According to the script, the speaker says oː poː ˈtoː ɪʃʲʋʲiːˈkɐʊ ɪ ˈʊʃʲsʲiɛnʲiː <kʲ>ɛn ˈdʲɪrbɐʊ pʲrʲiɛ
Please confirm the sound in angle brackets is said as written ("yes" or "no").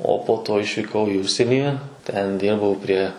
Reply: no